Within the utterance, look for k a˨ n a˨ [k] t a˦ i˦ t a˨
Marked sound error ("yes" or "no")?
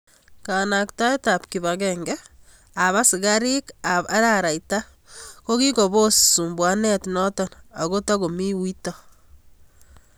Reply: no